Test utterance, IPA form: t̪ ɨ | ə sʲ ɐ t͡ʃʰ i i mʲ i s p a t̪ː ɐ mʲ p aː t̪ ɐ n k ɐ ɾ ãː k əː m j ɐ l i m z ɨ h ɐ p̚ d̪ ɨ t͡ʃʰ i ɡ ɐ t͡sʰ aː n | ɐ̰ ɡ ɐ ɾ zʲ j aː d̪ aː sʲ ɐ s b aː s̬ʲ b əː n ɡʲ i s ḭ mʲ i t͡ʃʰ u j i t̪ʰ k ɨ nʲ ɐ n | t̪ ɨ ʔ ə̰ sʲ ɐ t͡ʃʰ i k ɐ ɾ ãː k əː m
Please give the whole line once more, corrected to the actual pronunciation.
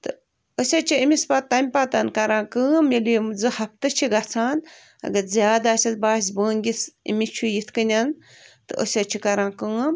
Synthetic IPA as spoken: t̪ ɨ | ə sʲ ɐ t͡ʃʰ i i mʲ i s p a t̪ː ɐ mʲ p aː t̪ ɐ n k ɐ ɾ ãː k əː m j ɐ l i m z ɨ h ɐ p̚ t̪ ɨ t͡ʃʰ i ɡ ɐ t͡sʰ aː n | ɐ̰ ɡ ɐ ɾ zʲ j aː d̪ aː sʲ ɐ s b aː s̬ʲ b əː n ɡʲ i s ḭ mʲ i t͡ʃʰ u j i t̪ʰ k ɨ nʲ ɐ n | t̪ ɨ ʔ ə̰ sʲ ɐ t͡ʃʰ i k ɐ ɾ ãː k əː m